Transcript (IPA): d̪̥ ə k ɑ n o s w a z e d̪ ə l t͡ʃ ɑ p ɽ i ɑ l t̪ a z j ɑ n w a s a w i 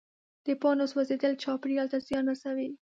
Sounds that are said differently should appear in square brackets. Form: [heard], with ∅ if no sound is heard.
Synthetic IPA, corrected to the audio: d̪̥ ə [p] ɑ n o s w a z e d̪ ə l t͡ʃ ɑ p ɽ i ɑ l t̪ a z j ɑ n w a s a w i